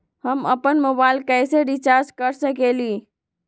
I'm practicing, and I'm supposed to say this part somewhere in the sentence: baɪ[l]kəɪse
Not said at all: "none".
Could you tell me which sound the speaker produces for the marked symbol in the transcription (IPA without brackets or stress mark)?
l